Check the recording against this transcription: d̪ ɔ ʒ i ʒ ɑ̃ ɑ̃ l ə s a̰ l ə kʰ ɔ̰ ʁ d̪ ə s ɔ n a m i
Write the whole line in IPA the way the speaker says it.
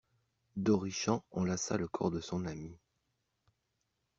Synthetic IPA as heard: d̪ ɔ ʁ i ʃ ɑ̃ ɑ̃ l a s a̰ l ə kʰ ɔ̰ ʁ d̪ ə s ɔ̃ n a m i